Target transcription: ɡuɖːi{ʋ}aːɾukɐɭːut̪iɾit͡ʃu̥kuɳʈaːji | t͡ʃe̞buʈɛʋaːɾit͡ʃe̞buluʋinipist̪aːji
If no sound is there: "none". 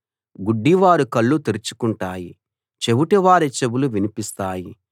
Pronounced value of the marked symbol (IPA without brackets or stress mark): ʋ